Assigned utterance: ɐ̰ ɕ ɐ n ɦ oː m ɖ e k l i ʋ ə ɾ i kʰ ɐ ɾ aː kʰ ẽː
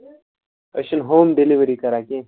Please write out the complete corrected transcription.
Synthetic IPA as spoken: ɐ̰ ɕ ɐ n ɦ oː m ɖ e l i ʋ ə ɾ i k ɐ ɾ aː k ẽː